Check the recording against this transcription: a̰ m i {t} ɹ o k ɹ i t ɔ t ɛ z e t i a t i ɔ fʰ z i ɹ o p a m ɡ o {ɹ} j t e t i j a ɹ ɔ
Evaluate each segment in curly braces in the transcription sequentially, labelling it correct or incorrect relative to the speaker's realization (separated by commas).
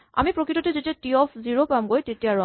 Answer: incorrect, incorrect